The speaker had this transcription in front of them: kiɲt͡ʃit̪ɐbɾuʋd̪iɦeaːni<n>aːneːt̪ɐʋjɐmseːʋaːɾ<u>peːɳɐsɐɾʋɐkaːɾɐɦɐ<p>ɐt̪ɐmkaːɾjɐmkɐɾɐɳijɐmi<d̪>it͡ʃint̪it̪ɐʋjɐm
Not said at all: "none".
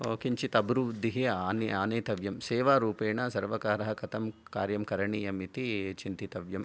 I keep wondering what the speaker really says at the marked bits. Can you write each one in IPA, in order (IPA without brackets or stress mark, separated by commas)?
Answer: none, uː, k, t̪